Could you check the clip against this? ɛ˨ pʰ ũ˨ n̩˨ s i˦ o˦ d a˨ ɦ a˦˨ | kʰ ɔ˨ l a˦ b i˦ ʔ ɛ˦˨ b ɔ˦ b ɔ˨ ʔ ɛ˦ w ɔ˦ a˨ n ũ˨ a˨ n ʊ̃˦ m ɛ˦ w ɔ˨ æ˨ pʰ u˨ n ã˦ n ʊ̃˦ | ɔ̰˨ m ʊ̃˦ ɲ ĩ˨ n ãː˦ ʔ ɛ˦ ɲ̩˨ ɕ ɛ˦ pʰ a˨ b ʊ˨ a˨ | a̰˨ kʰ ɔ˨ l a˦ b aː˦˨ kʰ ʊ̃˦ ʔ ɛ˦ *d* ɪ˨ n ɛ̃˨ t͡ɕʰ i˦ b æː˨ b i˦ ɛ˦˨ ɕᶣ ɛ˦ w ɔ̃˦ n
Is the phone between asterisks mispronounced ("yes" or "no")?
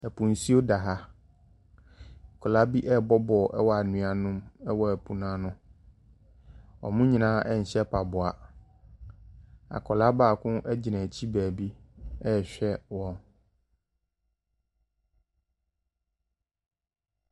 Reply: yes